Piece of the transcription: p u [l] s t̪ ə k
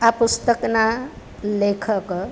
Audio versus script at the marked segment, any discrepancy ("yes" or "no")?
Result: yes